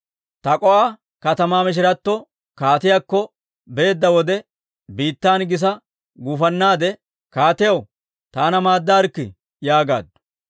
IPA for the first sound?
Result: t̪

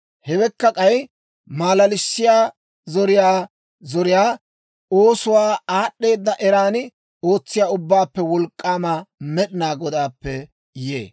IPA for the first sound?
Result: h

